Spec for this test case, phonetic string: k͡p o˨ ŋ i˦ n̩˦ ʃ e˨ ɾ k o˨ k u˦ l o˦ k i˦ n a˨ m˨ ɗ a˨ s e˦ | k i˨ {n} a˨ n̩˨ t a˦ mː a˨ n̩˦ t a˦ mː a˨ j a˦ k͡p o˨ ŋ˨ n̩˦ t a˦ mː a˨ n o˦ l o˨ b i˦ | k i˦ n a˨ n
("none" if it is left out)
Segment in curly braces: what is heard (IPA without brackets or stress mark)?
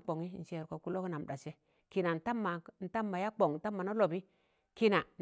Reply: n